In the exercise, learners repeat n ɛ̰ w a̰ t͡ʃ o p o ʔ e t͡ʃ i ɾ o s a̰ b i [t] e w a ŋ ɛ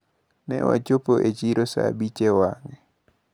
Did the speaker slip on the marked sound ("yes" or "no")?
yes